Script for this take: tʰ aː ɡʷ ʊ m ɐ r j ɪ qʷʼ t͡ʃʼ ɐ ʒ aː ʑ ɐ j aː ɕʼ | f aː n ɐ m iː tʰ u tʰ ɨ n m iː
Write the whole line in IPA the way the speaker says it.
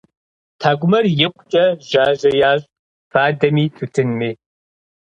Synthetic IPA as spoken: tʰ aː ɡʷ ʊ m ɐ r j ɪ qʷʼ t͡ʃʼ ɐ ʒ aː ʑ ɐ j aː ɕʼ | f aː d ɐ m iː tʰ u tʰ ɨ n m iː